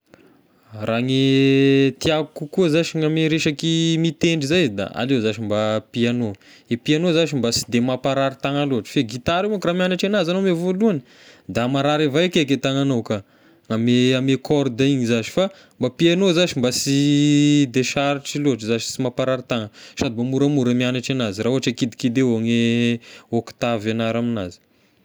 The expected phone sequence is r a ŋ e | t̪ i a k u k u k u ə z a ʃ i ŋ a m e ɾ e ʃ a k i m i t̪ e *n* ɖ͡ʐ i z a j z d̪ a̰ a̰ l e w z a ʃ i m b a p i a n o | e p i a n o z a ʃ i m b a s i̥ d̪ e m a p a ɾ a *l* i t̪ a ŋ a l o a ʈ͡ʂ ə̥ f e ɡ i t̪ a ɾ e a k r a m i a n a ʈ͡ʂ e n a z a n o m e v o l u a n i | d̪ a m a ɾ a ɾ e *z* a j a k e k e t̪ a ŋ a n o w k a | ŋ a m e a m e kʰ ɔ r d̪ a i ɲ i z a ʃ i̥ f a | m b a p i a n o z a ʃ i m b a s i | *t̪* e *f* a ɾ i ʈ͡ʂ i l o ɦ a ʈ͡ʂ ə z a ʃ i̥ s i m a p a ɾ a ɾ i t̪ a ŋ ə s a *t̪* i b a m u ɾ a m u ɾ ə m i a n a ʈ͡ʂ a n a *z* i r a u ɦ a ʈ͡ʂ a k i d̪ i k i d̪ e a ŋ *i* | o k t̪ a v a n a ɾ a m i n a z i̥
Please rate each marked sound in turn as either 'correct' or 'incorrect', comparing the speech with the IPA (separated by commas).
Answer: incorrect, incorrect, incorrect, incorrect, incorrect, incorrect, correct, incorrect